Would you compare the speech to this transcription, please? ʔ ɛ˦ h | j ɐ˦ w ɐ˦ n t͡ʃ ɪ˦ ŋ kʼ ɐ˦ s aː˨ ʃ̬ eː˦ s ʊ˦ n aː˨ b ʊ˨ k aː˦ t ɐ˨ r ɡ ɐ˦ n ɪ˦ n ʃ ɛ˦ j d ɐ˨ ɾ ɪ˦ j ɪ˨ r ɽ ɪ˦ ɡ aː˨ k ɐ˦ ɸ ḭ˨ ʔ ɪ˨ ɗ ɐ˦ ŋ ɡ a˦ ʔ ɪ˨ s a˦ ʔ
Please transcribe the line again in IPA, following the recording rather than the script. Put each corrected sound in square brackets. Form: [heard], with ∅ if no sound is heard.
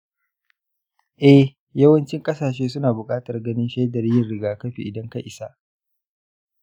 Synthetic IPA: ʔ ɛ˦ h | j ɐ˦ w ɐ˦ n t͡ʃ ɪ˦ ŋ kʼ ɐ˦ s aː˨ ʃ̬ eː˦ s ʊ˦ n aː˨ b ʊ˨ [kʼ] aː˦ t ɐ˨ r ɡ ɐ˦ n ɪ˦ n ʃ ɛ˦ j d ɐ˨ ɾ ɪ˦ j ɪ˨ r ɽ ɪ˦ ɡ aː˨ k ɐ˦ ɸ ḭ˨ ʔ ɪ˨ [d] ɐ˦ ŋ [k] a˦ ʔ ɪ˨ s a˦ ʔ